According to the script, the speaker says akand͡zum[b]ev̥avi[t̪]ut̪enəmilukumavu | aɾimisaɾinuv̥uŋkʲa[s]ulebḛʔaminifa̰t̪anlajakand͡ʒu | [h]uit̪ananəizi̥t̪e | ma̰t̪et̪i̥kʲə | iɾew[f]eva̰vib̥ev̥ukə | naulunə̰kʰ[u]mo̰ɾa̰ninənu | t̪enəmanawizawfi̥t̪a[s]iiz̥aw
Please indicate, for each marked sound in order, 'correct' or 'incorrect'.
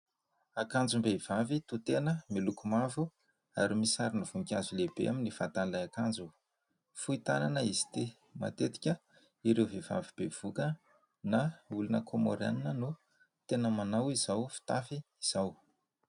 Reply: correct, correct, incorrect: z, incorrect: f, incorrect: v, incorrect: o, incorrect: f

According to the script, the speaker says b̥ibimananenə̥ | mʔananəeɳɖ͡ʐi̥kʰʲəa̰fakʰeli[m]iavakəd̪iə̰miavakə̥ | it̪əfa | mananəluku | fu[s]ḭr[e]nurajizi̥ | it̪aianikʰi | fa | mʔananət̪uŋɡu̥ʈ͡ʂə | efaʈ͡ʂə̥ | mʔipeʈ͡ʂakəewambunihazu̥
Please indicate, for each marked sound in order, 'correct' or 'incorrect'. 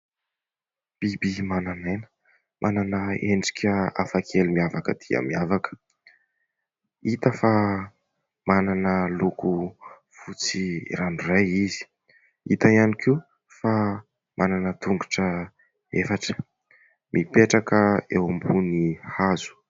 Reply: correct, incorrect: t͡s, incorrect: a

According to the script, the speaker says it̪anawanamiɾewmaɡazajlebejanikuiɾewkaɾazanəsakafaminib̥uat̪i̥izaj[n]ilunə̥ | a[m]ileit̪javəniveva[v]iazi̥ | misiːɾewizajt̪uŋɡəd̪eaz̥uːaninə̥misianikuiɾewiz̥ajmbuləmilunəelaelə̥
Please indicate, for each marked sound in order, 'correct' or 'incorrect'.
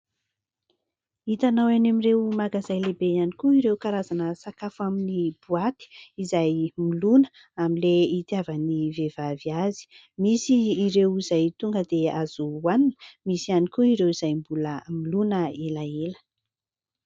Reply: incorrect: m, correct, correct

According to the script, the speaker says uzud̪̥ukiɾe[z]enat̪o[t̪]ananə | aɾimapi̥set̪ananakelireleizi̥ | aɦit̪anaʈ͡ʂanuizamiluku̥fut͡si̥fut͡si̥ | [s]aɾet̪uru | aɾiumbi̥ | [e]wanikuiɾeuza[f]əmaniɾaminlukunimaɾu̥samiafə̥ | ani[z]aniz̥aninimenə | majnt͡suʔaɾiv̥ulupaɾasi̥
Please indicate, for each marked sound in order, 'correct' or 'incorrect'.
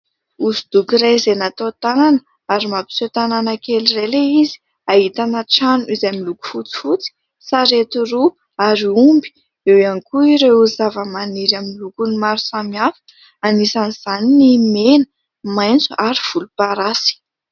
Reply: correct, correct, correct, correct, incorrect: v, incorrect: s

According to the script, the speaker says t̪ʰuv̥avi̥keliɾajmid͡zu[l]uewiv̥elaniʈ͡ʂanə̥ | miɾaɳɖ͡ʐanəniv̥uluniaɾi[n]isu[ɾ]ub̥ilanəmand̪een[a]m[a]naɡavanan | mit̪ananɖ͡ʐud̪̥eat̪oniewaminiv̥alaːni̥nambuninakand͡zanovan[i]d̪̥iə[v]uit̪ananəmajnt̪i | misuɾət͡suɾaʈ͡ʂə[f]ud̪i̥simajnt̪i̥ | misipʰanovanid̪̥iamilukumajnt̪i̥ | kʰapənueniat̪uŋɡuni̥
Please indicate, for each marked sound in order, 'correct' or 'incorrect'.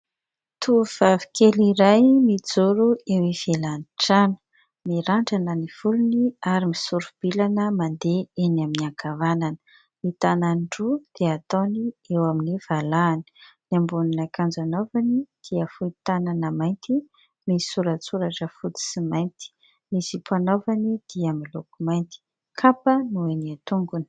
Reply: incorrect: ɾ, incorrect: m, correct, correct, incorrect: i, correct, incorrect: f, correct

